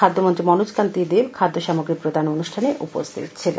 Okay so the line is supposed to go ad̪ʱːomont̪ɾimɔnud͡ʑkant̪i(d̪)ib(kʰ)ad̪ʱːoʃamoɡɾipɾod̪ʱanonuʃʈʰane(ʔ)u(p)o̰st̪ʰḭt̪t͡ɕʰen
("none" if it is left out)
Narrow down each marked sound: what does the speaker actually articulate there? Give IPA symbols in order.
d̪, kʰ, ʔ, p

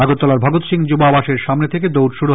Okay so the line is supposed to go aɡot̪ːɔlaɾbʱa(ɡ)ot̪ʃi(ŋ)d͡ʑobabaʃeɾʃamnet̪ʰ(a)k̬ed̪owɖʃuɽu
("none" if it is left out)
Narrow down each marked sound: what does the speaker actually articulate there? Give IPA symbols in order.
ɡ, ŋ, e

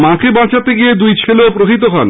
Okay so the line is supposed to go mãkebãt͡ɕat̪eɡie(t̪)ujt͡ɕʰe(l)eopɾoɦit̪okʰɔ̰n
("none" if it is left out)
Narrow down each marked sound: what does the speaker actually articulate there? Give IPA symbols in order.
d̪, l

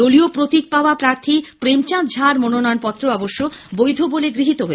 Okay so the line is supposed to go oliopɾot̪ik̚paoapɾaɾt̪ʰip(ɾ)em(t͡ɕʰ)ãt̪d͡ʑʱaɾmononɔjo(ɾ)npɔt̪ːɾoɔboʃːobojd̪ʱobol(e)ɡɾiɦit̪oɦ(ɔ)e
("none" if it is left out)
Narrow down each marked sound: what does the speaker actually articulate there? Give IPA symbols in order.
ɾ, t͡ɕ, none, e, o

